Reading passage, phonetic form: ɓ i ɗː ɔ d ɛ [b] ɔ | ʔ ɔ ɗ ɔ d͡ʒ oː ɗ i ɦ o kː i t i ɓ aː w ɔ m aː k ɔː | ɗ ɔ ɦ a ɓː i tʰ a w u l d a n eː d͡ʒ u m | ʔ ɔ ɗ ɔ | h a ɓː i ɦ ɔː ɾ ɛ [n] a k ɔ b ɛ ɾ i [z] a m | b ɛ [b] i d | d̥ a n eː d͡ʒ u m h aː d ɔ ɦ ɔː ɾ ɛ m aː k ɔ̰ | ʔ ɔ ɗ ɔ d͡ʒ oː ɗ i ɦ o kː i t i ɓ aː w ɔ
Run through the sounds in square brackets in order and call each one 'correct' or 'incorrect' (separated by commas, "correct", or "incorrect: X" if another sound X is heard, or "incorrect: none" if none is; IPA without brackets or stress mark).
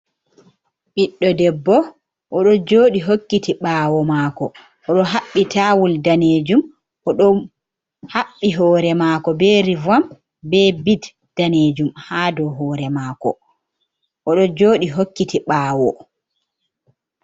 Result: incorrect: bː, incorrect: m, incorrect: v, correct